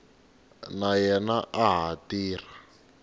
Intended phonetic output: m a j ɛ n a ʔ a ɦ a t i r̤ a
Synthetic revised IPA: n a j ɛ n a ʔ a ɦ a t iː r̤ a

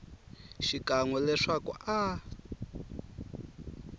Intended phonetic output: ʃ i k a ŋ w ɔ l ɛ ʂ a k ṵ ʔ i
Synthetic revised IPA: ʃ i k a ŋ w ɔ l ɛ ʂ a k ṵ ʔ a

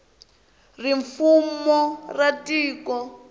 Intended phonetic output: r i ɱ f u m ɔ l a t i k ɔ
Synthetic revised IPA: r i ɱ f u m ɔ r a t iː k ɔ

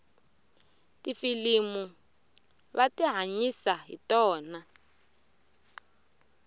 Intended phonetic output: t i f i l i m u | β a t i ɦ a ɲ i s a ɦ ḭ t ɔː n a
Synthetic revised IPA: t i f i l i m u | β a t i ɦ a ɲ i s a ɦ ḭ t ɔː n a

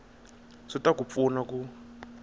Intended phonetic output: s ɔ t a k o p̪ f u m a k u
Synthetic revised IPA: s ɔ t a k u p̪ f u n a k u

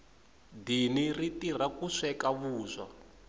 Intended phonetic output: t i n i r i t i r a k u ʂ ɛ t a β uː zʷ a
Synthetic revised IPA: d i n i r i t i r a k u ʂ ɛ k a β uː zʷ a

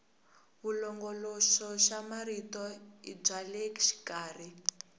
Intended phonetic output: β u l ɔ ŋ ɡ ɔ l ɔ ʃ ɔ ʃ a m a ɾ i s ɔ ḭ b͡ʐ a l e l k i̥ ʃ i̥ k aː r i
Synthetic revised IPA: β u l ɔ ŋ ɡ ɔ l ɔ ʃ ɔ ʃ a m a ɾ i t ɔ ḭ b͡ʐ a l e k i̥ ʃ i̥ k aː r i

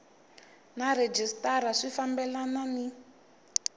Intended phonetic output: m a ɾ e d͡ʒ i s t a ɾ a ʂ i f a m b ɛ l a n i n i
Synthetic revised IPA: n a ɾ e d͡ʒ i s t a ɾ a ʂ i f a m b ɛ l a n a n i

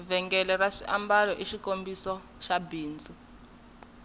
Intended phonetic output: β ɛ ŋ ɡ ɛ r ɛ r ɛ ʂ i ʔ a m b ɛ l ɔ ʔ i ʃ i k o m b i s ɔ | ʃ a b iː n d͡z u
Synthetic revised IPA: v ɛ ŋ ɡ ɛ l ɛ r a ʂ i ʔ a m b a l ɔ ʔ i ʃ i k o m b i s ɔ | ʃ a b iː n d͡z u

